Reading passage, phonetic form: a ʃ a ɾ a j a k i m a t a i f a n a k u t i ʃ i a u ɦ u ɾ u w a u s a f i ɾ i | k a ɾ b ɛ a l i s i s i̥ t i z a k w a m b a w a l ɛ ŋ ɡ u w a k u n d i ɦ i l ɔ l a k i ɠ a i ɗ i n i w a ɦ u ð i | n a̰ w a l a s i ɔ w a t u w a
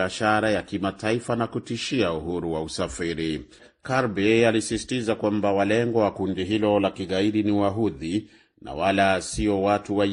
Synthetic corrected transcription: a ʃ a ɾ a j a k i m a t a i f a n a k u t i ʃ i a u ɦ u ɾ u w a u s a f i ɾ i | k a ɾ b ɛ a l i s i s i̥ t i z a k w a m b a w a l ɛ ŋ ɡ ɔ w a k u n d i ɦ i l ɔ l a k i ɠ a i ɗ i n i w a ɦ u ð i | n a̰ w a l a s i ɔ w a t u w a